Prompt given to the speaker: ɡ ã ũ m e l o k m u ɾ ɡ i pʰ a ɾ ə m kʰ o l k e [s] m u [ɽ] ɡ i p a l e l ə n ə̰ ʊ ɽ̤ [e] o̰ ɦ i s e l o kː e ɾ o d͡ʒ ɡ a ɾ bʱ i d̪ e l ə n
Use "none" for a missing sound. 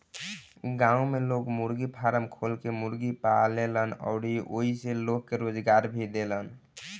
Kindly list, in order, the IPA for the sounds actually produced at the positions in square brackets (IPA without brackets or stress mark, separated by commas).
none, ɾ, i